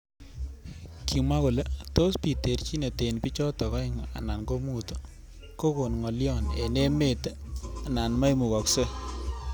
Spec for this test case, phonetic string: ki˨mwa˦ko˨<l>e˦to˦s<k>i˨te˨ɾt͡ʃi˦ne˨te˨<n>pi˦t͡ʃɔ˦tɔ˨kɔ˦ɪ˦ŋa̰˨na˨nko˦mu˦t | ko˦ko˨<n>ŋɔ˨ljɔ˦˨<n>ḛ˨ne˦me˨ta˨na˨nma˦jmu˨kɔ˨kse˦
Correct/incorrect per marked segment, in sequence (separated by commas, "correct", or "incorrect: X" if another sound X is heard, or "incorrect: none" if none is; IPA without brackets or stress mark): correct, incorrect: p, correct, correct, correct